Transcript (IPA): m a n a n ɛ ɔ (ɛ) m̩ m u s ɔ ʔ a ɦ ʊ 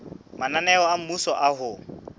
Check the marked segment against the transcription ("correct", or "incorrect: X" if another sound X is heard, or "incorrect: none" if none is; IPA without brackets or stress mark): incorrect: a